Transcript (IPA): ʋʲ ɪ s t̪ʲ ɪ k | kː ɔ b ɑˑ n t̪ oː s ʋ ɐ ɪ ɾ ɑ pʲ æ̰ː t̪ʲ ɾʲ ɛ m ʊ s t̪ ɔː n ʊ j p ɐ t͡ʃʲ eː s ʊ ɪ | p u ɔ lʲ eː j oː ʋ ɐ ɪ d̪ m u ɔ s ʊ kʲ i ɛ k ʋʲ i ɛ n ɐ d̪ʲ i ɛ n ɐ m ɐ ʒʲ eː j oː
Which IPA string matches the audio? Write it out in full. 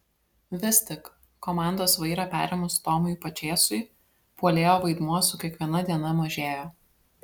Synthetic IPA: ʋʲ ɪ s t̪ʲ ɪ k | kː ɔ m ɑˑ n d̪ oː s ʋ ɐ ɪ ɾ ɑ pʲ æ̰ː ɾʲ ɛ m ʊ s t̪ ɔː m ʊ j p ɐ t͡ʃʲ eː s ʊ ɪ | p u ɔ lʲ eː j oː ʋ ɐ ɪ d̪ m u ɔ s ʊ kʲ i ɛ k ʋʲ i ɛ n ɐ d̪ʲ i ɛ n ɐ m ɐ ʒʲ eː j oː